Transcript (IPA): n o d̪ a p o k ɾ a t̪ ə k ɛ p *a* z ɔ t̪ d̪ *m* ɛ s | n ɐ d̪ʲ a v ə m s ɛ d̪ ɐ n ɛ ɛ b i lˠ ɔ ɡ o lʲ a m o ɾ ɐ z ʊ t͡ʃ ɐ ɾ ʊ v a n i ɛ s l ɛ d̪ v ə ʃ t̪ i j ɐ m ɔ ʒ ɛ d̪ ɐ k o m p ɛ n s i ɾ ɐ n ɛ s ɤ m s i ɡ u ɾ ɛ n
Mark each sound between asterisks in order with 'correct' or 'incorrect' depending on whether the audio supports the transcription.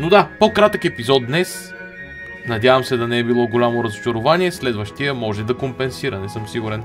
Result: incorrect: i, incorrect: n

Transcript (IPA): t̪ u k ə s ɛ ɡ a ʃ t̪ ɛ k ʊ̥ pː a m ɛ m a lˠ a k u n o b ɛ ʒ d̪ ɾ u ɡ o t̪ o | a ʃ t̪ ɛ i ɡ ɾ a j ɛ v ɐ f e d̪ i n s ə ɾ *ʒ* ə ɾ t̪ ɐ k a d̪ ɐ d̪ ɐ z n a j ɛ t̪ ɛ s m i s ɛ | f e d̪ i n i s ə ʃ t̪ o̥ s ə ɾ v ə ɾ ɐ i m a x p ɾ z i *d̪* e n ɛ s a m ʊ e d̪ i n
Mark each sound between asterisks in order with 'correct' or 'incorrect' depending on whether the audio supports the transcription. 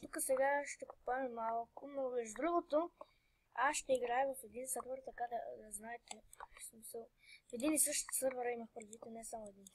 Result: incorrect: v, incorrect: t̪

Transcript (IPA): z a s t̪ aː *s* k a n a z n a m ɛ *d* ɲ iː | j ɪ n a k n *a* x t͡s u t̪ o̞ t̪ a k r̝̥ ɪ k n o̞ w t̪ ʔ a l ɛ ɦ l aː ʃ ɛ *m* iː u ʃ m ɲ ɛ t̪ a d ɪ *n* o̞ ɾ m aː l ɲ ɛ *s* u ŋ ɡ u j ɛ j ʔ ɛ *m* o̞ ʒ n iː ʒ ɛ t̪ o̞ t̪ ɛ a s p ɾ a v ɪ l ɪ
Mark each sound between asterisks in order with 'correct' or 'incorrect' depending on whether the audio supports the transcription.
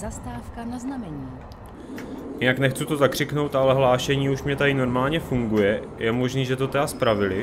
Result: incorrect: f, incorrect: none, incorrect: ɛ, incorrect: ɲ, correct, incorrect: f, correct

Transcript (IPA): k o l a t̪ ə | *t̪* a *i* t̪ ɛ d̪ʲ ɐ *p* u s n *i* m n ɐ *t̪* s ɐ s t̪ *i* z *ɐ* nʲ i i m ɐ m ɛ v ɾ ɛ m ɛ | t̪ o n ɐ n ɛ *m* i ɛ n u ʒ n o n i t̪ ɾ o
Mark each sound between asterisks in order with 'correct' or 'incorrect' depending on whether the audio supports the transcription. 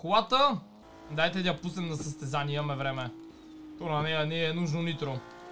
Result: incorrect: d̪, incorrect: j, correct, incorrect: ɛ, incorrect: none, incorrect: ɛ, incorrect: a, incorrect: n

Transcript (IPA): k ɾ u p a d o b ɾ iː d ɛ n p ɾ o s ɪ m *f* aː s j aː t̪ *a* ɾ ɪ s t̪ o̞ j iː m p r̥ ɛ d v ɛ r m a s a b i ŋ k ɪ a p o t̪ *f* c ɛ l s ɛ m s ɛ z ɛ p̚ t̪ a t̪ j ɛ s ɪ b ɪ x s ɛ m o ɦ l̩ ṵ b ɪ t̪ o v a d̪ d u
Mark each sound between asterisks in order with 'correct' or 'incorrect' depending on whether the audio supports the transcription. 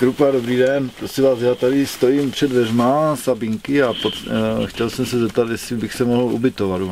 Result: incorrect: v, correct, incorrect: x

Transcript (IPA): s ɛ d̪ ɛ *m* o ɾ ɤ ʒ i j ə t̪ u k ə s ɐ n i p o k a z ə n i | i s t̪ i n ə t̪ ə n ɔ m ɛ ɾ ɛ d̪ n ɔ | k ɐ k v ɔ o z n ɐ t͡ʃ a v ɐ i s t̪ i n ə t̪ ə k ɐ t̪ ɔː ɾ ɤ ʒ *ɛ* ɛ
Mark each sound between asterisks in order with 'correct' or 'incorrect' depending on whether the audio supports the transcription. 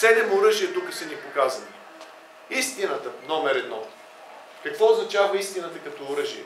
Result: correct, incorrect: i

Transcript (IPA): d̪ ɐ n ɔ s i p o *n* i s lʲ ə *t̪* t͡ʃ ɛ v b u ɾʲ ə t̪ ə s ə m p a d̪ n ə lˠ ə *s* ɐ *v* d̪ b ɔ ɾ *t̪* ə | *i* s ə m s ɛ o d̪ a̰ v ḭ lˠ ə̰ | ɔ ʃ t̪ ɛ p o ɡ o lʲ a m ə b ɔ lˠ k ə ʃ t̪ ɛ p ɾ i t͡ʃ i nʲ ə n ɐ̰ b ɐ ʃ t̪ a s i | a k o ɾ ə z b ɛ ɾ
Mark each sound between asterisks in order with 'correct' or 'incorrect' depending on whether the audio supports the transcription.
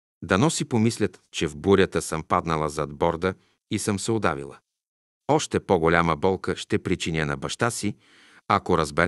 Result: incorrect: m, correct, incorrect: z, incorrect: none, incorrect: d̪, correct

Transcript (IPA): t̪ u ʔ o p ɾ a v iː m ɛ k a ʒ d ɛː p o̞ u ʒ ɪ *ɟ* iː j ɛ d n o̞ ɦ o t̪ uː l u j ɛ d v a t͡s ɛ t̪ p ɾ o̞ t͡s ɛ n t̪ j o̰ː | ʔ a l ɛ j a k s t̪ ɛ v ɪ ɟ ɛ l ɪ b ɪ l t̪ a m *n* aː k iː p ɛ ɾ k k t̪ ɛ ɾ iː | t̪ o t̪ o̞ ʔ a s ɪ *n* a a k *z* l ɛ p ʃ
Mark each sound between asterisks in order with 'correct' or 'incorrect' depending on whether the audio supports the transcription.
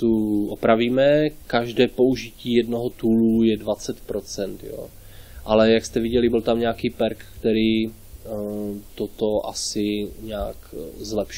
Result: incorrect: c, incorrect: ɲ, incorrect: ɲ, correct

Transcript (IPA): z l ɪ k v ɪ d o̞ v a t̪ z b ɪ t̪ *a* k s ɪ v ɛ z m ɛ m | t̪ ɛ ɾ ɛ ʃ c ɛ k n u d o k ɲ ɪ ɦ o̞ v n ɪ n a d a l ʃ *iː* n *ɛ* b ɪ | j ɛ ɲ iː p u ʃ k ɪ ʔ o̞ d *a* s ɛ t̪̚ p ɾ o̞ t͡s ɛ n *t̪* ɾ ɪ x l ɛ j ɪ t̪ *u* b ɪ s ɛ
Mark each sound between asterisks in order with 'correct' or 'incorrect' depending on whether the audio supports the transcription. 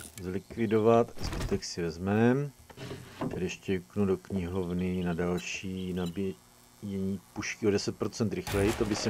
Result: incorrect: ɛ, correct, incorrect: a, incorrect: ɛ, correct, incorrect: o

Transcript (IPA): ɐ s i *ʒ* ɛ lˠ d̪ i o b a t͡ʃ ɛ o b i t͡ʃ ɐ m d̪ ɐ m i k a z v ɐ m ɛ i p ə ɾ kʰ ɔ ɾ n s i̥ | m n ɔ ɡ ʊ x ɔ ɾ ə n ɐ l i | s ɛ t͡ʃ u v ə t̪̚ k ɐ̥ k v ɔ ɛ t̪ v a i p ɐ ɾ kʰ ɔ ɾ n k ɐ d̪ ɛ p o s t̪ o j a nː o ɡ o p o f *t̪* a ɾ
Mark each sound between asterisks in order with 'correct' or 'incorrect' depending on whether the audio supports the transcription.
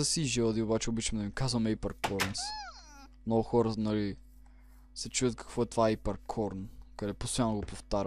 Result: correct, correct

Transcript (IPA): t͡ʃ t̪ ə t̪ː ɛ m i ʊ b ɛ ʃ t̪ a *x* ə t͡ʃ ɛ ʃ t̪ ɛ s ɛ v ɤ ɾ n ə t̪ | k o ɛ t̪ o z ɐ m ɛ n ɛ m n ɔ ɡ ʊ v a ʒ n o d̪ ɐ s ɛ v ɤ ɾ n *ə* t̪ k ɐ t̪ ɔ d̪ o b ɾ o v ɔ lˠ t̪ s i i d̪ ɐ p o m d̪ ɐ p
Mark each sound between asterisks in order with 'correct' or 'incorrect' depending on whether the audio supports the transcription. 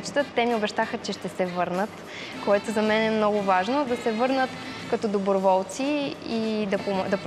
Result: correct, correct

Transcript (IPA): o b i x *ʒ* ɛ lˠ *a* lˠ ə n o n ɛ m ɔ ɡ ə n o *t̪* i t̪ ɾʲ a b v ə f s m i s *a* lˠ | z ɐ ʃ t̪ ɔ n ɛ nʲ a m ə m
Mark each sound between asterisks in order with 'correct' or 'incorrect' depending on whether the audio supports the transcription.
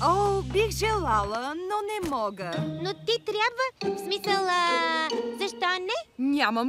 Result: correct, correct, correct, incorrect: ə

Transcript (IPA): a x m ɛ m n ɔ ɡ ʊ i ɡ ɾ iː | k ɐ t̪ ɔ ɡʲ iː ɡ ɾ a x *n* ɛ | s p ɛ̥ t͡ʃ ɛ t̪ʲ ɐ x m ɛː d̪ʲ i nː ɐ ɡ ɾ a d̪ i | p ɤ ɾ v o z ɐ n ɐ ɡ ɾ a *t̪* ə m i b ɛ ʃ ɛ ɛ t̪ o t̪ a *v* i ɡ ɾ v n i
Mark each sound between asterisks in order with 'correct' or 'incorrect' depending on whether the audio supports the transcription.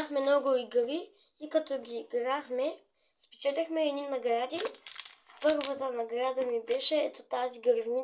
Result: incorrect: m, incorrect: d̪, incorrect: z

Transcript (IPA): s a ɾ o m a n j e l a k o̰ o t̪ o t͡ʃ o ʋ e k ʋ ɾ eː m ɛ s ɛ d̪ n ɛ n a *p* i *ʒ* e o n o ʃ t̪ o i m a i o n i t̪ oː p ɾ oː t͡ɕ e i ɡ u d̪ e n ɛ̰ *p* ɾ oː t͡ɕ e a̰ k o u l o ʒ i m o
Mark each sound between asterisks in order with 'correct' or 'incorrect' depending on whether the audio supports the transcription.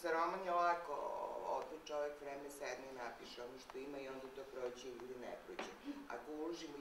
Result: correct, incorrect: ʃ, correct

